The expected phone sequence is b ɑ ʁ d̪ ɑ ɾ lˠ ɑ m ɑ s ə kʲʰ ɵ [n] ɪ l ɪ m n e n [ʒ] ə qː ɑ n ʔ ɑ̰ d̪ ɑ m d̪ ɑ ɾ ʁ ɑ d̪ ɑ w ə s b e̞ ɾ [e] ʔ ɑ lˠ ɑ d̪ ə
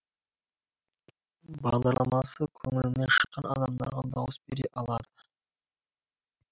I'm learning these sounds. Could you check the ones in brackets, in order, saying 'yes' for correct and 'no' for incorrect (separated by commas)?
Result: no, no, yes